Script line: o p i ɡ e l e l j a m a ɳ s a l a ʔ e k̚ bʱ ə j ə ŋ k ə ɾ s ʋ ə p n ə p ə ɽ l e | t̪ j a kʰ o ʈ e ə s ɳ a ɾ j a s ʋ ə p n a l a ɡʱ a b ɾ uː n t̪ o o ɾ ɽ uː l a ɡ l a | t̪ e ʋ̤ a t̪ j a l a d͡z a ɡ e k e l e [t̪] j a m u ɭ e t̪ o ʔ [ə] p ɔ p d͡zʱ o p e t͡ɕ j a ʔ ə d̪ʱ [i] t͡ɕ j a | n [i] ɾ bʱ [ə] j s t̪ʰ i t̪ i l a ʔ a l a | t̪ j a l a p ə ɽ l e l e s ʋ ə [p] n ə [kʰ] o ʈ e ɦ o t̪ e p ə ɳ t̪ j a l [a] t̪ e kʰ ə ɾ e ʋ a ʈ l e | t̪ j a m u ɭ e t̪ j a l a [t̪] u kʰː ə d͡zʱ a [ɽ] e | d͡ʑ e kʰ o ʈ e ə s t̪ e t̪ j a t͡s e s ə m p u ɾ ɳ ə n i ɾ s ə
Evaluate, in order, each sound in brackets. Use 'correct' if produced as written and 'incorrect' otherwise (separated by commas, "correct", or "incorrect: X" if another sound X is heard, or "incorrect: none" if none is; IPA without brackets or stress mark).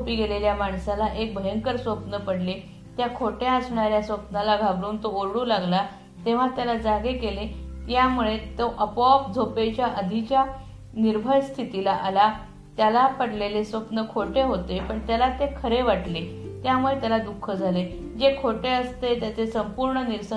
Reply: correct, correct, correct, correct, correct, correct, correct, correct, incorrect: d̪, incorrect: l